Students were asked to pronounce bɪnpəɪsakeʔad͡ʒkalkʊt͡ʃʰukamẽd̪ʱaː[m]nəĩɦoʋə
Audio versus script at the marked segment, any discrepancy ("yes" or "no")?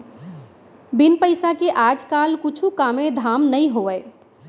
no